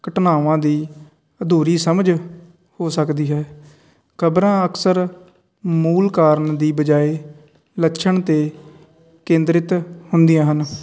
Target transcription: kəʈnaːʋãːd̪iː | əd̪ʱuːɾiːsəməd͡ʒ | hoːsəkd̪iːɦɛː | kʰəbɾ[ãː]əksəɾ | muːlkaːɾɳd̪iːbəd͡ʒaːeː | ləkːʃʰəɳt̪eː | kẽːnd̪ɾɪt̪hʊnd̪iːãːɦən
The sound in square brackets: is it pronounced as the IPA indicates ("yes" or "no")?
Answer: yes